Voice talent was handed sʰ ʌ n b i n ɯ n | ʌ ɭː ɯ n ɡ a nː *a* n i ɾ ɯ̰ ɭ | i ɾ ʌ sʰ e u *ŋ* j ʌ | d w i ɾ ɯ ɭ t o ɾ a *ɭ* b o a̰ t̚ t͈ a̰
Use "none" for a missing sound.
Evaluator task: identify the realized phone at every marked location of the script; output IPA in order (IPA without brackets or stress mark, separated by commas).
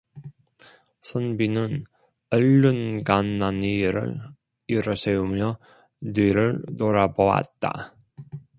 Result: a, m, none